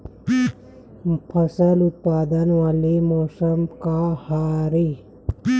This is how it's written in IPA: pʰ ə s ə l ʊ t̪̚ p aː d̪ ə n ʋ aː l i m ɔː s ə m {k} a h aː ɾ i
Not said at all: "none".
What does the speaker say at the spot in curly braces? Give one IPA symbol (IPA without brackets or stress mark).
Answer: k